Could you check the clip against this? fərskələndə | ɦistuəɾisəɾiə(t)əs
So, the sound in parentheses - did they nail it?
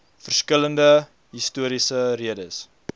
no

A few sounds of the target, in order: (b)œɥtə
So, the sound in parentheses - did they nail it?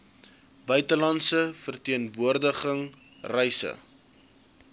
yes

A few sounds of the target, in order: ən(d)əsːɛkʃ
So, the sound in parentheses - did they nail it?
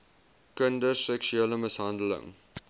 yes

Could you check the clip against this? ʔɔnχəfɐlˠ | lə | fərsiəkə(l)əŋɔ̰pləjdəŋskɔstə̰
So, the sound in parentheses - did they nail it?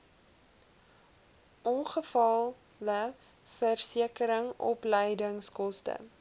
no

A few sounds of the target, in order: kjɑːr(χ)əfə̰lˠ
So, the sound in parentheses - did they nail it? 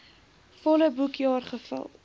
yes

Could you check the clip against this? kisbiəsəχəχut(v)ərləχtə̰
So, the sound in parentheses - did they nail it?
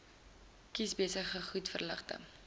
no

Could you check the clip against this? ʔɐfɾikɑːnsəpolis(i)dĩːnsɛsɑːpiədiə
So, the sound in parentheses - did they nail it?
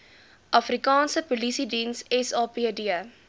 yes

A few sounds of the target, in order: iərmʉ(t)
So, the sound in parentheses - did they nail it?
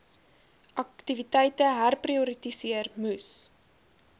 no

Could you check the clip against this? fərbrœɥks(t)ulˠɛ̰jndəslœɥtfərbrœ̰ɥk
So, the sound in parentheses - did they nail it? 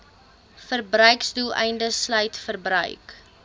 no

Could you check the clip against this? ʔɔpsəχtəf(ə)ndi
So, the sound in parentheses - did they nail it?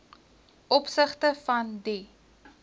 no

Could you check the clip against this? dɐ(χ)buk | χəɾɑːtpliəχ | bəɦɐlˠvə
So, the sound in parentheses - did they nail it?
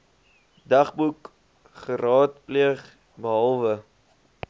yes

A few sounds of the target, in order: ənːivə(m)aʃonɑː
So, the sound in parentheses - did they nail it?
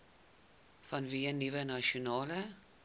no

